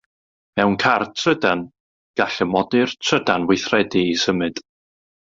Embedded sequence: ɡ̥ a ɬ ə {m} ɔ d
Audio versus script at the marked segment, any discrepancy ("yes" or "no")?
no